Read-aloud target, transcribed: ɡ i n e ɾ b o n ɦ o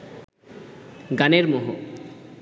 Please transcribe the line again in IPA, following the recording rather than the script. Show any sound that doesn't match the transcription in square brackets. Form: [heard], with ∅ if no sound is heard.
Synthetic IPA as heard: ɡ [a] n e ɾ [m] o [∅] ɦ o